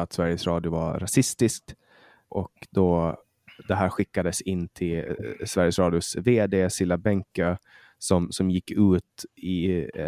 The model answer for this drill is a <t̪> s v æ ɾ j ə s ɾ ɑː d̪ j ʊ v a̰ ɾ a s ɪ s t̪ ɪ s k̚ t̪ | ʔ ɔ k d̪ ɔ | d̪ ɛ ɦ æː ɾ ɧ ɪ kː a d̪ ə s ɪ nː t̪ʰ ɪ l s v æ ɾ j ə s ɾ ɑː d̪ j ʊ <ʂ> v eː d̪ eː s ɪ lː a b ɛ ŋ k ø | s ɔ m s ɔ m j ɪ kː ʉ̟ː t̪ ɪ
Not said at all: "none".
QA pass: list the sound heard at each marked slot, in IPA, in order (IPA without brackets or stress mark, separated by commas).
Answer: t̪, s